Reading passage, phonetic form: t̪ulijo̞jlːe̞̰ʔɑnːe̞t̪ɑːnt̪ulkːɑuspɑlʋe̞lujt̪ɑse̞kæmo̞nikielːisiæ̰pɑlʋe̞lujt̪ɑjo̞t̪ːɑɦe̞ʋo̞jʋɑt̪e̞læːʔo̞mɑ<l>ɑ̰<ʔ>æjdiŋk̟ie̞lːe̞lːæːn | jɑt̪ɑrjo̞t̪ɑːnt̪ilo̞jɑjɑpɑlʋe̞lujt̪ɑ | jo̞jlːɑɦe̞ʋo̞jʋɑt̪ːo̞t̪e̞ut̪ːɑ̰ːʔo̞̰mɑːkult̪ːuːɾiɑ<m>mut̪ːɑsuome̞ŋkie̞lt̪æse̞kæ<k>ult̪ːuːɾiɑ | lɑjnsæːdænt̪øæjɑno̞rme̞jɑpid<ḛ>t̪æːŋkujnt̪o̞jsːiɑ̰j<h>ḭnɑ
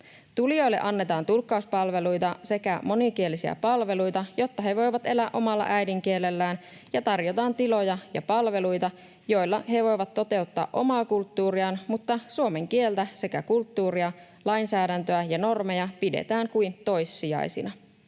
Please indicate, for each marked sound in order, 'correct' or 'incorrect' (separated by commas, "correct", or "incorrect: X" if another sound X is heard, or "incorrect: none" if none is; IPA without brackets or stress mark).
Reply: incorrect: lː, correct, incorrect: n, correct, correct, incorrect: s